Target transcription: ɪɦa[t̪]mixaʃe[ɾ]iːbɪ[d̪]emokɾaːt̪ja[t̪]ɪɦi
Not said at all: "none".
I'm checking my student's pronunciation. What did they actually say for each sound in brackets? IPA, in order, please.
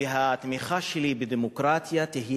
t̪, l, d̪, t̪

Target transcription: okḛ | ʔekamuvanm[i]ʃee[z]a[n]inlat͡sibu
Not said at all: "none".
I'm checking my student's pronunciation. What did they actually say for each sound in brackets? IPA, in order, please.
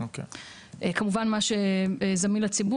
a, z, m

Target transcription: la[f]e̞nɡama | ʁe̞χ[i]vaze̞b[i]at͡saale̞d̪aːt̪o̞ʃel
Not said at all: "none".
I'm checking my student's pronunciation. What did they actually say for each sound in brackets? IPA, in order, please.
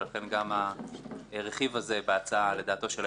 χ, i, e

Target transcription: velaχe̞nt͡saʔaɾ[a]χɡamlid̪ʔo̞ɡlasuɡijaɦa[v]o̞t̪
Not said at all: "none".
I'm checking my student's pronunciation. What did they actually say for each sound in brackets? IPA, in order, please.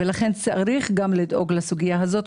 i, z

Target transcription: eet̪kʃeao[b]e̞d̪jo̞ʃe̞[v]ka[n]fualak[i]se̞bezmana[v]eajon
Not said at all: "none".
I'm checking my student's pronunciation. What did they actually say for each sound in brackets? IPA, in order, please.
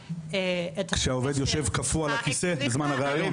v, v, none, i, ʁ

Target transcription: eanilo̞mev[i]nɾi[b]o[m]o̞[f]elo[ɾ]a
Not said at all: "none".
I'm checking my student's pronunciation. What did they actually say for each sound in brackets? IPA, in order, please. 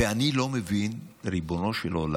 i, b, n, ʃ, l

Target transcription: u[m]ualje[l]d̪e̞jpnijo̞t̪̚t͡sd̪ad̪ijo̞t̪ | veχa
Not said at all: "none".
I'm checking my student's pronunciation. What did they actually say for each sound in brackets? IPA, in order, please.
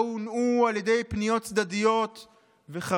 n, none

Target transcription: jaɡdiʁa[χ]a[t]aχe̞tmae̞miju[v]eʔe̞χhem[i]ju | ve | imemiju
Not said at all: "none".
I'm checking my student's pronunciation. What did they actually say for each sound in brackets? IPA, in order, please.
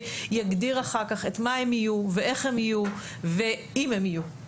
χ, k, v, i

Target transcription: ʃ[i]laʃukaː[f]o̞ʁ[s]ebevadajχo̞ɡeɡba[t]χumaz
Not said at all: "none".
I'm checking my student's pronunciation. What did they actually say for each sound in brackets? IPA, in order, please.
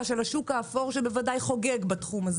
e, f, ʃ, t

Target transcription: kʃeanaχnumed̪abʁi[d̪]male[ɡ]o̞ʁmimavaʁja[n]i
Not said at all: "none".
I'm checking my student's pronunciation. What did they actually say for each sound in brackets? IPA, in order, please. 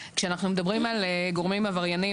none, ɡ, n

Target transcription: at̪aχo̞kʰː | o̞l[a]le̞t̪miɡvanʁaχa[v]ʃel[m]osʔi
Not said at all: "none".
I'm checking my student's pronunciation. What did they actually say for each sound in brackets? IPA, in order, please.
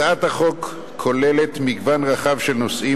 e, v, n

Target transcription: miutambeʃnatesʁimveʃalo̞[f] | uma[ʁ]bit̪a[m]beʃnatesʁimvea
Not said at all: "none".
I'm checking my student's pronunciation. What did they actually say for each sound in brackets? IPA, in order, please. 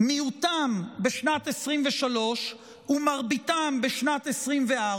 ʃ, ʁ, m

